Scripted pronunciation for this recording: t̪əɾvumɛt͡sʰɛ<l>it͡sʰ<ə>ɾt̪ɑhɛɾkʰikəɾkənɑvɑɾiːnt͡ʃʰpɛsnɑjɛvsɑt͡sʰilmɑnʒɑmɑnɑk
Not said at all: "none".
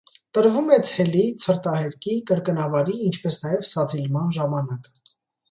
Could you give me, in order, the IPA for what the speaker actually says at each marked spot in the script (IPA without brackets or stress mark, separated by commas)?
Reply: l, ə